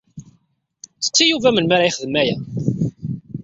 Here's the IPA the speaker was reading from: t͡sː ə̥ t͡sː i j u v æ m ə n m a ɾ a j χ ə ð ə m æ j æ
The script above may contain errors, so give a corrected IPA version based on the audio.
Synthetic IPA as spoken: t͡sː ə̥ t͡sː i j u v æ m ə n m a ɾ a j χ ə ð ə m æ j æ